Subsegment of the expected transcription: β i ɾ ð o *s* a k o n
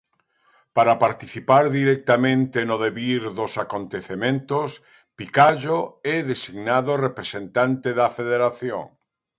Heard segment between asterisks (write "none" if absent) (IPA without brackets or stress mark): s